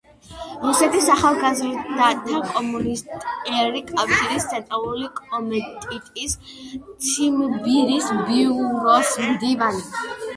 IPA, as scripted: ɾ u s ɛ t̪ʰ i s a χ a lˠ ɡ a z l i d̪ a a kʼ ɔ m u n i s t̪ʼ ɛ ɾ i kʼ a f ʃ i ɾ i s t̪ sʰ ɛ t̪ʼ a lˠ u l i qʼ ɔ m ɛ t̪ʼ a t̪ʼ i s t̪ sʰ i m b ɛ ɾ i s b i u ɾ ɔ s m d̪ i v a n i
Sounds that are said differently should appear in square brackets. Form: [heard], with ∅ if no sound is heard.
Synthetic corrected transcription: ɾ u s ɛ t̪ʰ i s a χ a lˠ ɡ a z [ɾ] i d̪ a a kʼ ɔ m u n i s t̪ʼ ɛ ɾ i kʼ a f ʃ i ɾ i s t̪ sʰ ɛ t̪ʼ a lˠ u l i [kʼ] ɔ m ɛ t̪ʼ [i] t̪ʼ i s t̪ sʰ i m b [i] ɾ i s b i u ɾ ɔ s m d̪ i v a n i